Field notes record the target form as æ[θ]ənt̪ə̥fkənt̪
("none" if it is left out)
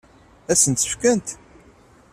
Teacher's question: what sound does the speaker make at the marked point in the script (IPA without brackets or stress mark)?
s